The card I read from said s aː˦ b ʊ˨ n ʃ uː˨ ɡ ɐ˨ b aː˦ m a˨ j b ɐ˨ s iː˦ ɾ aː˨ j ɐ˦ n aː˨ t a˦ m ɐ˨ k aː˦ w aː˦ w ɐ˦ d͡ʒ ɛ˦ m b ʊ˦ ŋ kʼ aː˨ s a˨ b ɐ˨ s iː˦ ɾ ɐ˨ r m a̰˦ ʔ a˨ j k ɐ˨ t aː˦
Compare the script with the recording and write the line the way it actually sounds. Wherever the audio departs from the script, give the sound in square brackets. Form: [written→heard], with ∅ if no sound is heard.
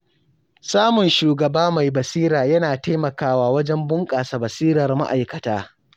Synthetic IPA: s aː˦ [b→m] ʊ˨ n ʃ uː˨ ɡ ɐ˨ b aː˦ m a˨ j b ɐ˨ s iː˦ ɾ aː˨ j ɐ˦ n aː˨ t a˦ m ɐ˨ k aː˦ w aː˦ w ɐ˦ d͡ʒ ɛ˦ m b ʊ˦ ŋ kʼ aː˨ s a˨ b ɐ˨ s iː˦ ɾ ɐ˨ r m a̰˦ ʔ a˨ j k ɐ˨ t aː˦